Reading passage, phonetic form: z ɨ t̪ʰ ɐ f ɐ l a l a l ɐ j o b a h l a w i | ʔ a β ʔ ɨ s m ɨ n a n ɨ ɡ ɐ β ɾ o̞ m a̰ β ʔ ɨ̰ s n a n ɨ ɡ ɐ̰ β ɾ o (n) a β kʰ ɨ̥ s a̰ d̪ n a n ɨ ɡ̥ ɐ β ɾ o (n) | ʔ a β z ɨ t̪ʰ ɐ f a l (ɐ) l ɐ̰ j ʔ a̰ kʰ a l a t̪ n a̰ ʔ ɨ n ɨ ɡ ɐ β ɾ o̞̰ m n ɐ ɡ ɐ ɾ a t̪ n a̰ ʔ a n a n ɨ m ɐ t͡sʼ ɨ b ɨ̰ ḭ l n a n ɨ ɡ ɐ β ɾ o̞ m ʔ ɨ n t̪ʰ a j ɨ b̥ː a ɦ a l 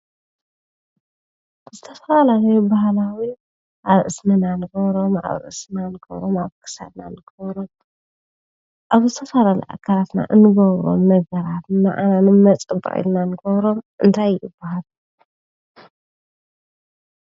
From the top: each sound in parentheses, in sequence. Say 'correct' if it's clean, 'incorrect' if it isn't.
incorrect, incorrect, incorrect

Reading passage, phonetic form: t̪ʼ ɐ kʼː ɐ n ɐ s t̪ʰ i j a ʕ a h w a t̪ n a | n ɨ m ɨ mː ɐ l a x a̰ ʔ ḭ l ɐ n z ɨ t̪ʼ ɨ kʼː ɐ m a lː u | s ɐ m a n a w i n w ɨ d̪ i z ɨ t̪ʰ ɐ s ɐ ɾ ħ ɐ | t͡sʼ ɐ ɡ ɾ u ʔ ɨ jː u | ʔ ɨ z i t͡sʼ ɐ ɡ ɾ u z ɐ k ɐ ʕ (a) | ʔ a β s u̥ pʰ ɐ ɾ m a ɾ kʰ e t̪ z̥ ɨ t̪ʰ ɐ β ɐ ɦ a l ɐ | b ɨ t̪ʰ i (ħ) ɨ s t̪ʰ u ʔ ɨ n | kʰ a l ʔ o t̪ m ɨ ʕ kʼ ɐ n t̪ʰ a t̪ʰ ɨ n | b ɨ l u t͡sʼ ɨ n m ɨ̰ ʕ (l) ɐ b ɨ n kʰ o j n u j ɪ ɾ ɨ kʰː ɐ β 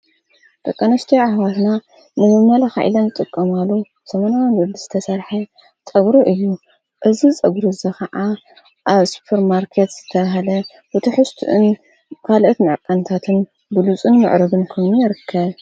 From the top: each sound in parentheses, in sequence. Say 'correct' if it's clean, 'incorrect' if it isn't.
correct, correct, incorrect

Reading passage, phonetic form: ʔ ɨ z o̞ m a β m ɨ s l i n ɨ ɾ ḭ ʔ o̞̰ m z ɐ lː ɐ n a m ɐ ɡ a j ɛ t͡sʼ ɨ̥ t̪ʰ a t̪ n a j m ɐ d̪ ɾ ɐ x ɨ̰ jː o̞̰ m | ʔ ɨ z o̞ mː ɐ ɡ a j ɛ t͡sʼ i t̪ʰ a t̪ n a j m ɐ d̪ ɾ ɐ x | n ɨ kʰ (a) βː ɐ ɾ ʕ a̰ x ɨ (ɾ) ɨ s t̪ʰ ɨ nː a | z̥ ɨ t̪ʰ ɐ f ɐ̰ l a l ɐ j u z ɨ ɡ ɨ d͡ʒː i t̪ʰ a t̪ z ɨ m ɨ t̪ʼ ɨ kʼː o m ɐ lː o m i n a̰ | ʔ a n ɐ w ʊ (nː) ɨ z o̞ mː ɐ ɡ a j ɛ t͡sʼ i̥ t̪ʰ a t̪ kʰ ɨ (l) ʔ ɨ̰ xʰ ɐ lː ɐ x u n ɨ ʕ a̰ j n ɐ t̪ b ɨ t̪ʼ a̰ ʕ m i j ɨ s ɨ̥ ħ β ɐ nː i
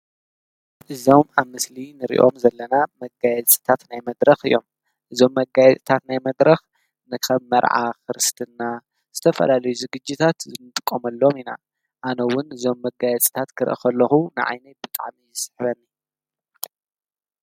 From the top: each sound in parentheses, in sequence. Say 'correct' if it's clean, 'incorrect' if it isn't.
incorrect, correct, incorrect, incorrect

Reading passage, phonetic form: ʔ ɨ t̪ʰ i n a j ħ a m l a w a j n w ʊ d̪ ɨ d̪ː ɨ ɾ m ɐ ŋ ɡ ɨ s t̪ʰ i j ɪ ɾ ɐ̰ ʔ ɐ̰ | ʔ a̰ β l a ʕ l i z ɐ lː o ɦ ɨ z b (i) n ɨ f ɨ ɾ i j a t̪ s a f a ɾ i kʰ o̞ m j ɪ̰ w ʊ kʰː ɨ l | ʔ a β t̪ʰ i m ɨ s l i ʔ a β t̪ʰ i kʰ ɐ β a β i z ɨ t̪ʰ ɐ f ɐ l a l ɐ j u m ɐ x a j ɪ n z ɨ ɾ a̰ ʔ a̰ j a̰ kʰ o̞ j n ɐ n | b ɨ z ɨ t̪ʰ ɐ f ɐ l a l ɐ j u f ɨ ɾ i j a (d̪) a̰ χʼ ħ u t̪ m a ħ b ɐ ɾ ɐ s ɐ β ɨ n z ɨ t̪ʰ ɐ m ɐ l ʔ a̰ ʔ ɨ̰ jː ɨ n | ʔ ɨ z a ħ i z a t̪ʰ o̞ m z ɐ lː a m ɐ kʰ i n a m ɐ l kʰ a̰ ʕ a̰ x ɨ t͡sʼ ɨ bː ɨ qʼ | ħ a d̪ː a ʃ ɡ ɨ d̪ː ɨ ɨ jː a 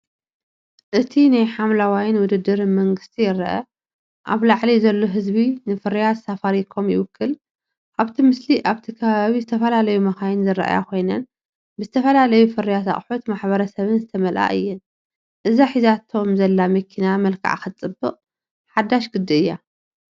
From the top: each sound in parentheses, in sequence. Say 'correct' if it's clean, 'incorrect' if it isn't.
correct, incorrect

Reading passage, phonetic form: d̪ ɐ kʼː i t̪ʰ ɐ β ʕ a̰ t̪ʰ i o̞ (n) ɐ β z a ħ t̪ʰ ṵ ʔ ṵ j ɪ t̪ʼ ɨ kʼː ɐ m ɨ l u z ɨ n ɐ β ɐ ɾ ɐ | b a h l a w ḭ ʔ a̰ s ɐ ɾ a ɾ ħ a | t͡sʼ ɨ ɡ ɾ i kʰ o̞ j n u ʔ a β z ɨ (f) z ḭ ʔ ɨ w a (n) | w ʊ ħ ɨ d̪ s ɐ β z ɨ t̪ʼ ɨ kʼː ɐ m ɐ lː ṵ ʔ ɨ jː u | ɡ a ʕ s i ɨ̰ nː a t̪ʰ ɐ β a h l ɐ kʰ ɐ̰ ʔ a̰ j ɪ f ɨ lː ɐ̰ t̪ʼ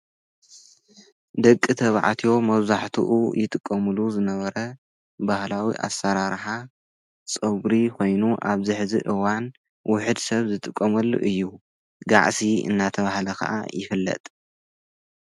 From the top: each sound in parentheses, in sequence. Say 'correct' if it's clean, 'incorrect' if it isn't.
incorrect, incorrect, correct

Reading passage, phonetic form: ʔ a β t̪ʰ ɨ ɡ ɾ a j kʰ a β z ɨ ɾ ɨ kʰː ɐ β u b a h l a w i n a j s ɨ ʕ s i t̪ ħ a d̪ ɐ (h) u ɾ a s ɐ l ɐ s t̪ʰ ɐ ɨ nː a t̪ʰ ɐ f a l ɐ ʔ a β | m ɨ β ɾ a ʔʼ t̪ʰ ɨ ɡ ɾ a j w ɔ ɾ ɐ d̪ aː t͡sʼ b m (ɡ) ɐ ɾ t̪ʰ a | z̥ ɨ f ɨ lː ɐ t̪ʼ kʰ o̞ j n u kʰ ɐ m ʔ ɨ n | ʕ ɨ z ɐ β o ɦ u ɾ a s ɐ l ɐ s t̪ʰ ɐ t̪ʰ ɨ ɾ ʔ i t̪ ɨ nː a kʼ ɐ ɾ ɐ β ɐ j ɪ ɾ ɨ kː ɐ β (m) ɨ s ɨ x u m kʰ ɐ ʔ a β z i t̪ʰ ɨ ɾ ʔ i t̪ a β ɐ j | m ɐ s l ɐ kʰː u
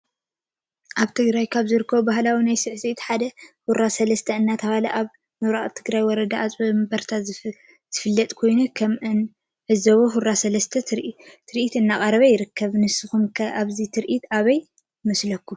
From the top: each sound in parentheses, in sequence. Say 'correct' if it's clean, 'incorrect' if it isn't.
correct, incorrect, incorrect

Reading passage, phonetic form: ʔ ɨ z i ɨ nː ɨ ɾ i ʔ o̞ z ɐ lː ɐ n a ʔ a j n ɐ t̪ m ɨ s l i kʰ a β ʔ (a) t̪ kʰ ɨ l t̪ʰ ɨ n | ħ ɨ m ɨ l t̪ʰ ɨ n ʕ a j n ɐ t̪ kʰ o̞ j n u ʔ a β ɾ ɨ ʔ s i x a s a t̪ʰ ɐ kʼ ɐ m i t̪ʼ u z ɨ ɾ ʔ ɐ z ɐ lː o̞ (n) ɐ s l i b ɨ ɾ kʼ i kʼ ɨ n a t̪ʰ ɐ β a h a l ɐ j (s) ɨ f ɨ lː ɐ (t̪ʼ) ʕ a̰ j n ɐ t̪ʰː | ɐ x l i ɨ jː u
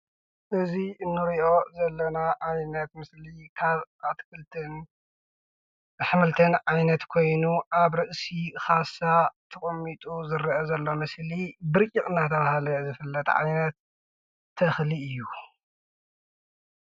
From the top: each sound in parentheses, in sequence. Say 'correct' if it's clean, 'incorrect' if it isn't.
correct, incorrect, incorrect, incorrect

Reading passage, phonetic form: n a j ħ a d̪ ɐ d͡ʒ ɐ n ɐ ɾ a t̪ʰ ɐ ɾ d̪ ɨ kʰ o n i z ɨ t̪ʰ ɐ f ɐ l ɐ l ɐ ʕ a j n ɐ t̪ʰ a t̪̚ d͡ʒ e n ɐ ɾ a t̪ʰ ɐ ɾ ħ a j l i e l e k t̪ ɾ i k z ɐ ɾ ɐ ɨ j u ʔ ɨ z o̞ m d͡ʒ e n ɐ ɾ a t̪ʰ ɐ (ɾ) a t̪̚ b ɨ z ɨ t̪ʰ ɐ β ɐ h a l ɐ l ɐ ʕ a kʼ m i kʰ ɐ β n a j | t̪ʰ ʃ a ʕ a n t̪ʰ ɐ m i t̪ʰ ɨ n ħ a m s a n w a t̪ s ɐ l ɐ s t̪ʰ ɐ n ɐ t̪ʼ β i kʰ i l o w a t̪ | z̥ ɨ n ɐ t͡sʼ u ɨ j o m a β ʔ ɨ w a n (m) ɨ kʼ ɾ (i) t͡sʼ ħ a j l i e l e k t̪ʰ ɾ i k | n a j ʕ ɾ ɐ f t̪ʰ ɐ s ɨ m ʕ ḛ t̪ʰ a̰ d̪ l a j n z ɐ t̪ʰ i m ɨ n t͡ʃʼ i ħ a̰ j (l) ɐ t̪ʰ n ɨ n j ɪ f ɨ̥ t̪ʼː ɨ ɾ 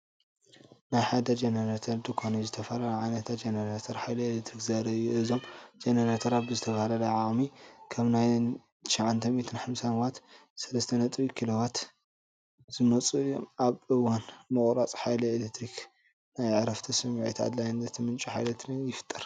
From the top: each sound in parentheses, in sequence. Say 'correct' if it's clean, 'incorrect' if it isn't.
correct, correct, incorrect, correct

